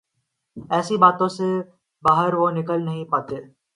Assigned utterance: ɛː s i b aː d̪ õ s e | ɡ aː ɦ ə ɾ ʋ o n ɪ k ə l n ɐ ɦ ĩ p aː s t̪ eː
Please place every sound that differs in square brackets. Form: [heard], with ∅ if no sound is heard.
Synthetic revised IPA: ɛː s i b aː [t̪] õ s e | [b] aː ɦ ə ɾ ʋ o n ɪ k ə l n ɐ ɦ ĩ p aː [∅] t̪ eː